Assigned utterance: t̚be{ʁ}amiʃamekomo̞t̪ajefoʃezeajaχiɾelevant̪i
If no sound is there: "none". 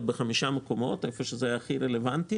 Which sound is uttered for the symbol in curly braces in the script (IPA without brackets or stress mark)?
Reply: χ